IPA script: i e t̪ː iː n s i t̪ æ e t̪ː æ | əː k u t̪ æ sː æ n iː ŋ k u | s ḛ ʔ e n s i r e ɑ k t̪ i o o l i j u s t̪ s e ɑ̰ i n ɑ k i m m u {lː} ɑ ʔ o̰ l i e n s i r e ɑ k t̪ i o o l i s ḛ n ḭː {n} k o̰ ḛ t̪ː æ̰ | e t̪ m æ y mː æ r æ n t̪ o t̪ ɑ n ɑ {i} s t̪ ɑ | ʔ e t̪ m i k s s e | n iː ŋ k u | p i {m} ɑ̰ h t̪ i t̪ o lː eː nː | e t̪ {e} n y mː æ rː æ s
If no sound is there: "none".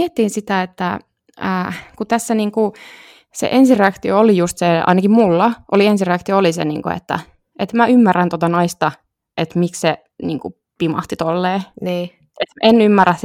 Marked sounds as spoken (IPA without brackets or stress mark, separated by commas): lː, ŋ, i, m, e